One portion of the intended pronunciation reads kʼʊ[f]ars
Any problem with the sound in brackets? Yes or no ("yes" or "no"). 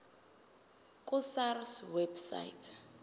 yes